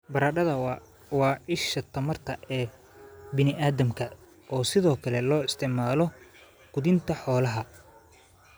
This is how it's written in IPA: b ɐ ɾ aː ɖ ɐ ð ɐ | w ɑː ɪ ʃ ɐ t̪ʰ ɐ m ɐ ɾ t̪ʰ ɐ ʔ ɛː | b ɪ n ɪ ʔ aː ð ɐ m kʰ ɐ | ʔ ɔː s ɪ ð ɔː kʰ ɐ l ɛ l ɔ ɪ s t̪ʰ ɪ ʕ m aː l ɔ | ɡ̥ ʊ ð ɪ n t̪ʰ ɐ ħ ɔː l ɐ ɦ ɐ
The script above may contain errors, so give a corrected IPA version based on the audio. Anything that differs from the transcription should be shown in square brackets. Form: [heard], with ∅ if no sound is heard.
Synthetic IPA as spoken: b ɐ ɾ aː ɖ ɐ ð ɐ | w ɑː ɪ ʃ ɐ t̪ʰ ɐ m ɐ [r] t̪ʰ ɐ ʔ ɛː | b ɪ n ɪ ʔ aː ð ɐ m kʰ ɐ | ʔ ɔː s ɪ ð ɔː kʰ ɐ l ɛ l [ɔː] ɪ s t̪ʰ ɪ ʕ m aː l ɔ | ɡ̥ ʊ ð ɪ n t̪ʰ ɐ ħ ɔː l ɐ ɦ ɐ